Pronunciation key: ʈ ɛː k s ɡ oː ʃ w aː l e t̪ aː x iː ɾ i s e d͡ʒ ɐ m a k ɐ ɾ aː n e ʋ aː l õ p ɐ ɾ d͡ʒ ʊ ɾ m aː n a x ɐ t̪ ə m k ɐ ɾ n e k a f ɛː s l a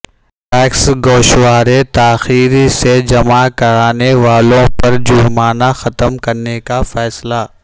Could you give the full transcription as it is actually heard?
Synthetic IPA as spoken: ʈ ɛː k s ɡ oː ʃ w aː ɾ e t̪ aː x iː ɾ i s e d͡ʒ ɐ m a k ɐ ɾ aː n e ʋ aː l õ p ɐ ɾ d͡ʒ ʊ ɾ m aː n a x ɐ t̪ ə m k ɐ ɾ n e k a f ɛː s l a